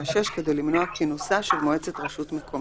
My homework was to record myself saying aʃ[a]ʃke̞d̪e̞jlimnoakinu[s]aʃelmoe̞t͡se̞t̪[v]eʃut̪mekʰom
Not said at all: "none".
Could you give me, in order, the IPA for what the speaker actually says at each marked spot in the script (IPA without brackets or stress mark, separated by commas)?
e, s, ʁ